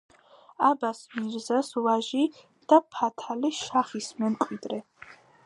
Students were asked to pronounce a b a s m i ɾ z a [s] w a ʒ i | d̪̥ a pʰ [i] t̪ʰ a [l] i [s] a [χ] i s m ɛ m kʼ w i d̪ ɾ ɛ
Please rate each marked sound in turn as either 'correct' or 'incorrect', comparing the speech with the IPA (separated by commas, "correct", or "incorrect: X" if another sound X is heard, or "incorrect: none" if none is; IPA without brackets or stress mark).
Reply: correct, incorrect: a, correct, incorrect: ʃ, correct